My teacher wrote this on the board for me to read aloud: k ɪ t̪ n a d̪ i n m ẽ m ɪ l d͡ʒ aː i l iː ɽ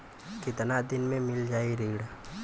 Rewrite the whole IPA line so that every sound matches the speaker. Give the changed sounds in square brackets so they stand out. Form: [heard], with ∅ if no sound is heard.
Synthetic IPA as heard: k ɪ t̪ n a d̪ [ɪ] n m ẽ m ɪ l d͡ʒ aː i [ɾ] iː ɽ